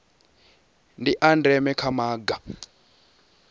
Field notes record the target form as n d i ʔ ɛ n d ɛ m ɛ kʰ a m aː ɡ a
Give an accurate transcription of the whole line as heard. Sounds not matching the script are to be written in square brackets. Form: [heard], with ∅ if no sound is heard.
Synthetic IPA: n d i ʔ [a] n d ɛ m ɛ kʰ a m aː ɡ a